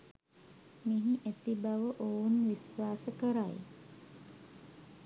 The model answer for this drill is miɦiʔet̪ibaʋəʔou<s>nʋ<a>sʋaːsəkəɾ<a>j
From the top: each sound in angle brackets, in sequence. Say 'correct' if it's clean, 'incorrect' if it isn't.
incorrect: none, incorrect: i, correct

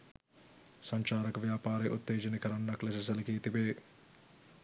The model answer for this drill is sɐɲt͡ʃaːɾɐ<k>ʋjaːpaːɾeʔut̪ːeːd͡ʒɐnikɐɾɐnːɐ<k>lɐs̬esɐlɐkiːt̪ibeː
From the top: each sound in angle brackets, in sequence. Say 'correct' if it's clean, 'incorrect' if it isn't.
correct, correct

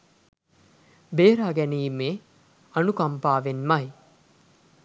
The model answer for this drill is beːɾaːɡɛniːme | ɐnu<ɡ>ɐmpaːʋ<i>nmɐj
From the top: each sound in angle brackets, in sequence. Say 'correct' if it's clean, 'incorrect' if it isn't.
incorrect: k, incorrect: e

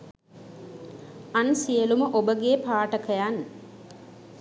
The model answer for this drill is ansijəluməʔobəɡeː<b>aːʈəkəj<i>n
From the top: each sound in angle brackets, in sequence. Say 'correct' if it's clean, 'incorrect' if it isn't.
incorrect: p, incorrect: a

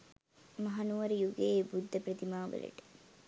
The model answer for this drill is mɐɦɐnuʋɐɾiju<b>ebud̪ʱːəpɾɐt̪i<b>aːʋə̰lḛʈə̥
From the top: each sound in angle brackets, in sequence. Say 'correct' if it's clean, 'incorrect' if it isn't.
incorrect: ɡ, incorrect: m

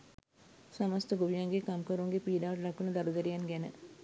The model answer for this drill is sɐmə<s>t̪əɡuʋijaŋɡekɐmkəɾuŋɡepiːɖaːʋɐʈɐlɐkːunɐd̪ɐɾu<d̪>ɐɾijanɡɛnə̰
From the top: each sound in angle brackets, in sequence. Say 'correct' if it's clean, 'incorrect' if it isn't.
correct, correct

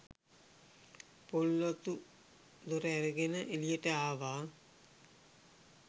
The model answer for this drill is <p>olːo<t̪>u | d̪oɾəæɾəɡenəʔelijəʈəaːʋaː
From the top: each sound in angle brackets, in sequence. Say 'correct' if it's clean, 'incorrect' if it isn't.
correct, correct

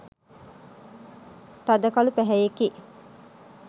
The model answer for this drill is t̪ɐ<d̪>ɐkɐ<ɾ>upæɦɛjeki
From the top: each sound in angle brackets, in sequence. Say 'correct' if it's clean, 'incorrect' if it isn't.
correct, incorrect: l

